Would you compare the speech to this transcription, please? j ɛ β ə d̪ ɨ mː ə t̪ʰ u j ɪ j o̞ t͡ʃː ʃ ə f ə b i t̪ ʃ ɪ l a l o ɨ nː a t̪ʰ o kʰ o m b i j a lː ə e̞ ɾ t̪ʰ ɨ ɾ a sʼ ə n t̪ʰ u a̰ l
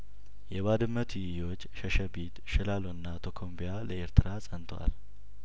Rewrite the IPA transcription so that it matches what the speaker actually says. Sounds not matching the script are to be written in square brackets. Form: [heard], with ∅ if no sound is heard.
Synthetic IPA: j ɛ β [a] d̪ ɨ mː ə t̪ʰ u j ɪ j o̞ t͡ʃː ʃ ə [ʃ] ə b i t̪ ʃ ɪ l a l o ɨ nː a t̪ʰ o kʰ o m b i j a [l] ə e̞ ɾ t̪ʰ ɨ ɾ a sʼ ə n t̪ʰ [w] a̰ l